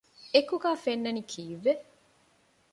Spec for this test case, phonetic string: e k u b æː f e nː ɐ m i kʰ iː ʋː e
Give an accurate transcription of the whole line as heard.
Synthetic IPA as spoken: e k u ɡ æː f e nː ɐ n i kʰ iː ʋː e